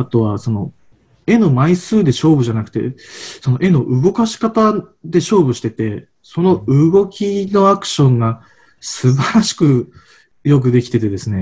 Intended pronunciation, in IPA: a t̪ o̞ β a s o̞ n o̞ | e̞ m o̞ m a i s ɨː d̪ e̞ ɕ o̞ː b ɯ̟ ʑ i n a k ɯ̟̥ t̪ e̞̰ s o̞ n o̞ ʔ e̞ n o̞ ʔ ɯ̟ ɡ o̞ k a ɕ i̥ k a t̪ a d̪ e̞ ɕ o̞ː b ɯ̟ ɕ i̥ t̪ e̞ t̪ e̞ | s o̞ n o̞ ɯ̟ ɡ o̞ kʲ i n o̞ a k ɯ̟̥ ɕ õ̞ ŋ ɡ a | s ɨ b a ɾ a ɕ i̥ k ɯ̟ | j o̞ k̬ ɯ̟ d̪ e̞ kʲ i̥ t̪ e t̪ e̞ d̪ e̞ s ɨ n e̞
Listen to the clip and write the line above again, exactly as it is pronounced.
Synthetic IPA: a t̪ o̞ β a s o̞ n o̞ | e̞ n o̞ m a i s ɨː d̪ e̞ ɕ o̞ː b ɯ̟ ʑ a n a k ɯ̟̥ t̪ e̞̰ s o̞ n o̞ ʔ e̞ n o̞ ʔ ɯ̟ ɡ o̞ k a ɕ i̥ k a t̪ a d̪ e̞ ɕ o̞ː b ɯ̟ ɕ i̥ t̪ e̞ t̪ e̞ | s o̞ n o̞ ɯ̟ ɡ o̞ kʲ i n o̞ a k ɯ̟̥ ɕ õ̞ ŋ ɡ a | s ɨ b a ɾ a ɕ i̥ k ɯ̟ | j o̞ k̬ ɯ̟ d̪ e̞ kʲ i̥ t̪ e t̪ e̞ d̪ e̞ s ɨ n e̞